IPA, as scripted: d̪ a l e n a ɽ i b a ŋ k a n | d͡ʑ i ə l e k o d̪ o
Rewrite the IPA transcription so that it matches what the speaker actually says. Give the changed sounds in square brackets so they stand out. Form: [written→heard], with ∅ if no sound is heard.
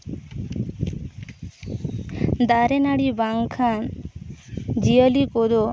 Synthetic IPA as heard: d̪ a [l→ɾ] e n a ɽ i b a ŋ [k→kʰ] a n | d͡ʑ i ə l [e→i] k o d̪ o

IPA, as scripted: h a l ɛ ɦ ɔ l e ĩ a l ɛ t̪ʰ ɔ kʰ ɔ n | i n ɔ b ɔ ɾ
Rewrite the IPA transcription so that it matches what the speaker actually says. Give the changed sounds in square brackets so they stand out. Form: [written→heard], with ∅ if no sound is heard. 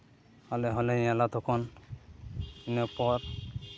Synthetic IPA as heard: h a l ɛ ɦ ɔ l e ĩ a l [ɛ→a] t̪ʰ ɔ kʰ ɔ n | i n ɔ [b→p] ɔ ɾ

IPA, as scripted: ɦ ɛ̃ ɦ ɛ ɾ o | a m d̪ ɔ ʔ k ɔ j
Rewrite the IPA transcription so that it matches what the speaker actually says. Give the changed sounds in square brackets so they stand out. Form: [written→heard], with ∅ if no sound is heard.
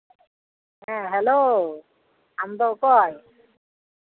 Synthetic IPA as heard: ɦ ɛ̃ ɦ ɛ [ɾ→l] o | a m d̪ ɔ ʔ k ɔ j

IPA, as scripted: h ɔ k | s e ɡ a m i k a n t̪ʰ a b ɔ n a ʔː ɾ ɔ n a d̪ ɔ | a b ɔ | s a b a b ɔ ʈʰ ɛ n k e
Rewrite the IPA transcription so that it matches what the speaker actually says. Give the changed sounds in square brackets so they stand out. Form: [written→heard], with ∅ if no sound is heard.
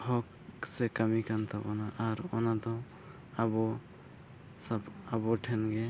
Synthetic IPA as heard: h ɔ k | s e [ɡ→k] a m i k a n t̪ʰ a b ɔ n a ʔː ɾ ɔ n a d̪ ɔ | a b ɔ | s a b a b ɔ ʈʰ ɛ n [k→ɡ] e

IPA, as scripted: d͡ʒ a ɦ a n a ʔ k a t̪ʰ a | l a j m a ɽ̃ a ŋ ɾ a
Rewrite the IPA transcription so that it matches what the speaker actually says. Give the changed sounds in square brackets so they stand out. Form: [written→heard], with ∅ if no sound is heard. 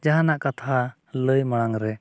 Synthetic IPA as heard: d͡ʒ a ɦ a n a ʔ k a t̪ʰ a | l [a→ə] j m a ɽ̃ a ŋ ɾ [a→ɛ]

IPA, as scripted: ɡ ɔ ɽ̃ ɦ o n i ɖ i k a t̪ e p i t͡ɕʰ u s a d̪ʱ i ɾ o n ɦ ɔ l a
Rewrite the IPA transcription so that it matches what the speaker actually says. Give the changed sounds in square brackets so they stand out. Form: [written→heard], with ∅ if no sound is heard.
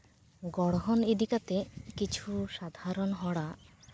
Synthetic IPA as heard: ɡ ɔ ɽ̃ ɦ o n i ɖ i k a t̪ e [p→k] i t͡ɕʰ u [s→ʃ] a d̪ʱ [i→a] ɾ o n ɦ ɔ [l→ɽ] a

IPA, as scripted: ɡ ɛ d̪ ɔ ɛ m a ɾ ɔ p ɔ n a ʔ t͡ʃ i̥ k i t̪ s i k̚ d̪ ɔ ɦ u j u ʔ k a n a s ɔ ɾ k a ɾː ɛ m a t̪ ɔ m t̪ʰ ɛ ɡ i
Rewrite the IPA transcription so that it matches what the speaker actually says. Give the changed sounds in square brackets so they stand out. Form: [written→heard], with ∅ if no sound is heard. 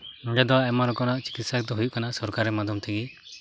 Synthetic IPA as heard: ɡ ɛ d̪ ɔ ɛ m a ɾ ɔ [p→k] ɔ n a ʔ t͡ʃ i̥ k i t̪ s [i→a] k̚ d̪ ɔ ɦ u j u ʔ k a n a s ɔ ɾ k a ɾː ɛ m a [t̪→d̪] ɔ m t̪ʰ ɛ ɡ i

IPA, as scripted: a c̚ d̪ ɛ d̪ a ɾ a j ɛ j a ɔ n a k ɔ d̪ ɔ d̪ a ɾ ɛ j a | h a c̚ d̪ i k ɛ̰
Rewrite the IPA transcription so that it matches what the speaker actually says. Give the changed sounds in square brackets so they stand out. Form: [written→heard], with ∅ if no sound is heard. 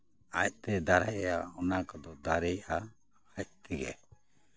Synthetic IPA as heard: a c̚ [d̪→t̪] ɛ d̪ a ɾ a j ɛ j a ɔ n a k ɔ d̪ ɔ d̪ a ɾ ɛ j a | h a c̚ [d̪→t̪] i [k→ɡ] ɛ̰

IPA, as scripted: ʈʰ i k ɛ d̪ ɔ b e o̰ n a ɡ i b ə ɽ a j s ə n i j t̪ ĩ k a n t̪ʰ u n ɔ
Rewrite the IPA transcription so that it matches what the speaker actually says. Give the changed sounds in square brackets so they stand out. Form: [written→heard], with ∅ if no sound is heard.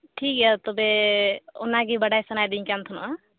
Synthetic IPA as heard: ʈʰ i k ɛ [d̪→t̪] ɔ b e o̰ n a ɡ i b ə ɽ a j s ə n [i→a] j [t̪→d̪] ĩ k a n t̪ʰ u n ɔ

